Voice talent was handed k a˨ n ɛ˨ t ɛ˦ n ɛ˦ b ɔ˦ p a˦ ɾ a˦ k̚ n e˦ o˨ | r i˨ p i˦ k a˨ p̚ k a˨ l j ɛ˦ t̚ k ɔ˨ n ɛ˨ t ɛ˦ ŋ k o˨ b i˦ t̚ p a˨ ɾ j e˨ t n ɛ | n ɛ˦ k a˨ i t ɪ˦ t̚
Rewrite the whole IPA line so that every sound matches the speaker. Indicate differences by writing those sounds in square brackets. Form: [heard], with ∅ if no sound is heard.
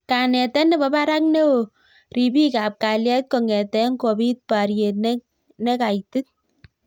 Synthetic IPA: k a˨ n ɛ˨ t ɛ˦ n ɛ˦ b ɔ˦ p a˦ ɾ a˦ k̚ n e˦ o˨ | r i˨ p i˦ k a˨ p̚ k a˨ l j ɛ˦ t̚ k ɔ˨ [ŋ] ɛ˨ t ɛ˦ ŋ k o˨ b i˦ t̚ p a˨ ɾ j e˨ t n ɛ | n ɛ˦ k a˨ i t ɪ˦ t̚